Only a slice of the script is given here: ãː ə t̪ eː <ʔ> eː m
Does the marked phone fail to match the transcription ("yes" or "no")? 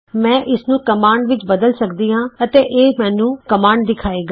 no